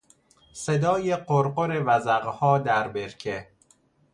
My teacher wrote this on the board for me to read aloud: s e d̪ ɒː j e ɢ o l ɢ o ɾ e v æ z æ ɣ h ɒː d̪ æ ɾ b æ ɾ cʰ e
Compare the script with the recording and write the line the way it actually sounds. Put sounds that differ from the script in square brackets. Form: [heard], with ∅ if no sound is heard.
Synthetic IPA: s e d̪ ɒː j e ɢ o [ɾ] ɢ o ɾ e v æ z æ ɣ h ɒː d̪ æ ɾ b [e] ɾ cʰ e